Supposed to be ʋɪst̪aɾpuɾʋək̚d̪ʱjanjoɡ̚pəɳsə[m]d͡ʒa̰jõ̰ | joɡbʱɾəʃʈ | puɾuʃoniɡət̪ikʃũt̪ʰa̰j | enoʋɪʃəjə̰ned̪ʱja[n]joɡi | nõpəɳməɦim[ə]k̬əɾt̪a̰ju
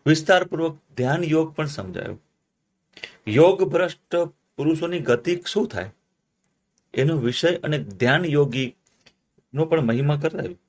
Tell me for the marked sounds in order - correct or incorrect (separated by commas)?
correct, correct, incorrect